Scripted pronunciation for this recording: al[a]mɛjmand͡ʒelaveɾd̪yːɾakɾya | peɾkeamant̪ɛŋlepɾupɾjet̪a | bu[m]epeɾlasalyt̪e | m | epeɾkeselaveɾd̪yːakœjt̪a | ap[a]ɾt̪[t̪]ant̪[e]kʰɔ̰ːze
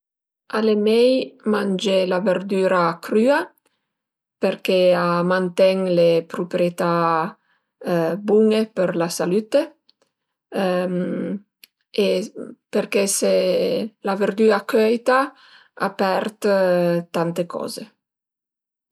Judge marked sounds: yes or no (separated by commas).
no, no, no, yes, yes